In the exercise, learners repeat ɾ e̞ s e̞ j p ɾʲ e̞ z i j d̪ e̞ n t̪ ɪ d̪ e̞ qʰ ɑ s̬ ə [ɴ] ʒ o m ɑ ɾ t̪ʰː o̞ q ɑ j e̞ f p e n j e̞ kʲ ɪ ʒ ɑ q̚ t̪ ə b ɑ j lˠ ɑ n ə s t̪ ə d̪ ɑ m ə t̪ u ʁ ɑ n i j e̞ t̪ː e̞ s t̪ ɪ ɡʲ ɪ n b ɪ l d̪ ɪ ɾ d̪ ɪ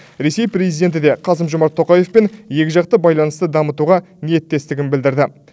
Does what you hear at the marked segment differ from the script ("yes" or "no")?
yes